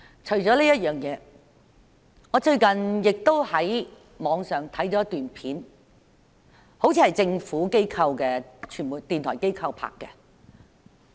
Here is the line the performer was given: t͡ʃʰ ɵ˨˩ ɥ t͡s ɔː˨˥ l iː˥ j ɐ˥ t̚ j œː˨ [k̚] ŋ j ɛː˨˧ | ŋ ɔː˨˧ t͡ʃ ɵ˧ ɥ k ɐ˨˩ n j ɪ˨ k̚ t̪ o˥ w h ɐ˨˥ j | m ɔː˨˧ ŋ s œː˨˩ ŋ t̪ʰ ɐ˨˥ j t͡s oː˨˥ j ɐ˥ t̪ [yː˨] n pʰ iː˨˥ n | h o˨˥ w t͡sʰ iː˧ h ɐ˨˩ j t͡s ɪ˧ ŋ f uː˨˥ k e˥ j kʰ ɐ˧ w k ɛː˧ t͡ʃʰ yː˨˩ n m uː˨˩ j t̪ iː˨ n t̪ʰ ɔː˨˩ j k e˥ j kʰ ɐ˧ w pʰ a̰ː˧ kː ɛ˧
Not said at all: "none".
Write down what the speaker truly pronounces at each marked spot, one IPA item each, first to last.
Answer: none, yː˨

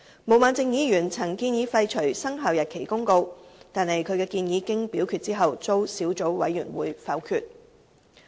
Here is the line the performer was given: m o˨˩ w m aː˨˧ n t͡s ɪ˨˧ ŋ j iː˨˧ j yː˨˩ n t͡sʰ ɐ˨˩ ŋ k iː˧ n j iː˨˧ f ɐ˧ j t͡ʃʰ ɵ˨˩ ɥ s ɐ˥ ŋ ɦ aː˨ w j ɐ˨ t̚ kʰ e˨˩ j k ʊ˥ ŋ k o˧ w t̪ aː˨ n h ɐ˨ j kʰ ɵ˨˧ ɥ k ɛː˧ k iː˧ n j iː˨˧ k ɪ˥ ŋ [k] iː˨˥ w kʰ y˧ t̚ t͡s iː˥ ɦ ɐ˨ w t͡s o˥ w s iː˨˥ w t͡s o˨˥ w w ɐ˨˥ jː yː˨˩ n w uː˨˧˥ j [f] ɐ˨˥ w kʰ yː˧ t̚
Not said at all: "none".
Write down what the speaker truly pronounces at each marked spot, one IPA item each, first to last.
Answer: p, f

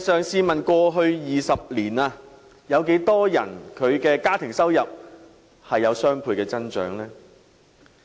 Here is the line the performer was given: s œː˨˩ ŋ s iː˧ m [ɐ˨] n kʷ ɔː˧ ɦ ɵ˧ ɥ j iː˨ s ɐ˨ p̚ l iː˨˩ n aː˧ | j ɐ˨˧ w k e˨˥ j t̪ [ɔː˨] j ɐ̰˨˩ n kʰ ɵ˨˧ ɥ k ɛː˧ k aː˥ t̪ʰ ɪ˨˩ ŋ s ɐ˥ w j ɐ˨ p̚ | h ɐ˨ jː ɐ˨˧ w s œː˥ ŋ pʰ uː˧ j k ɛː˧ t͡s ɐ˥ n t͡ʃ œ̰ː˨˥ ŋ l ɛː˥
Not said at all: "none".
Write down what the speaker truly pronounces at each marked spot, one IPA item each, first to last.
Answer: ɐ˨, ɔː˥

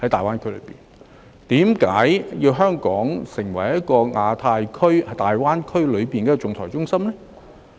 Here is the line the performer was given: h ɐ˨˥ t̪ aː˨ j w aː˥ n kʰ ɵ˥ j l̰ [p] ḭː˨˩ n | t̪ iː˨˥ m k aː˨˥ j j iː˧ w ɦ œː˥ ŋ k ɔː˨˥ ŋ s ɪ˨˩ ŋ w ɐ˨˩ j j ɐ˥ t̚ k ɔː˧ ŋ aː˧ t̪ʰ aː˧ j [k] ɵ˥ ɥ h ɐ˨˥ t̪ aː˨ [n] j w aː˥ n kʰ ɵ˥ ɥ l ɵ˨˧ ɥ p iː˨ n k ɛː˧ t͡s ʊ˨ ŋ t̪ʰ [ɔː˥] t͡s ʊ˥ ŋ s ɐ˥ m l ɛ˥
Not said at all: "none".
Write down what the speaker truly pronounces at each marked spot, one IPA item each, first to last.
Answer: p, kʰ, none, ɔː˨˩

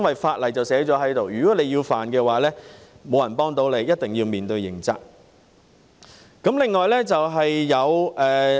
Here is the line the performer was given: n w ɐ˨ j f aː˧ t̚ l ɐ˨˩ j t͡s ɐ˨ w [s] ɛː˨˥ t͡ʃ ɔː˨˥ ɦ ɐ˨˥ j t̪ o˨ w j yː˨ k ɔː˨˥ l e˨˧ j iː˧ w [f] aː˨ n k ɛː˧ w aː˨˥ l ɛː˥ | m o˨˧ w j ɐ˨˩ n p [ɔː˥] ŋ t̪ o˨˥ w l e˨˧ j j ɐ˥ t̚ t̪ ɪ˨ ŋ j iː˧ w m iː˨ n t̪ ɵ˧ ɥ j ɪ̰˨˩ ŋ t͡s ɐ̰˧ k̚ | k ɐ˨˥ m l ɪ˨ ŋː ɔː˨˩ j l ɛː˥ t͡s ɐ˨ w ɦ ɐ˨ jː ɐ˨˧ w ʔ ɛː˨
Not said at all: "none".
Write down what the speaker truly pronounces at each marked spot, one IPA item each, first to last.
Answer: s, f, ɔː˥

